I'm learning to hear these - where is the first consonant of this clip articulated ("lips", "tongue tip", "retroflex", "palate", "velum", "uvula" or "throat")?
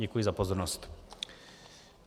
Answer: velum